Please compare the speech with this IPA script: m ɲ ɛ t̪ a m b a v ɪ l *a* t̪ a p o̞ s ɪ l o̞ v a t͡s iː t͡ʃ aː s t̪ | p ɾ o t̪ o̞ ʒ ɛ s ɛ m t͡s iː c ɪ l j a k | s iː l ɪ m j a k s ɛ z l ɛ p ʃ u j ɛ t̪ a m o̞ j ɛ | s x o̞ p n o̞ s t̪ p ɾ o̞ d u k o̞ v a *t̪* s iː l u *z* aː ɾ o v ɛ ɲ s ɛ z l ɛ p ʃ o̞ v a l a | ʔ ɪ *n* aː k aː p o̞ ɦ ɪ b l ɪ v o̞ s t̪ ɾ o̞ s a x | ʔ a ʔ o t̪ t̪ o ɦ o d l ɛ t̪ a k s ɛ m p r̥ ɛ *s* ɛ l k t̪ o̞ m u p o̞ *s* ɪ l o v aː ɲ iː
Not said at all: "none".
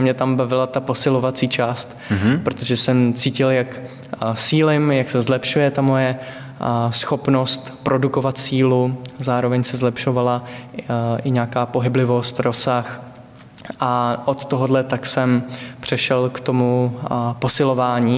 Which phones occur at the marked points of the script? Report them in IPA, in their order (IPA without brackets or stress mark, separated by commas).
a, t̪, z, ɲ, ʃ, s